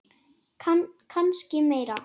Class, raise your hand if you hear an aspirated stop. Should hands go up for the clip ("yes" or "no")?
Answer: yes